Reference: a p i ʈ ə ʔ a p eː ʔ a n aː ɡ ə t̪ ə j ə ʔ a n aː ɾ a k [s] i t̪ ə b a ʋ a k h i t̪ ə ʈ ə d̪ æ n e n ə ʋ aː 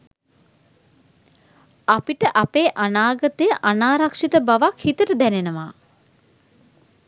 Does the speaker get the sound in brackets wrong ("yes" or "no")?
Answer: yes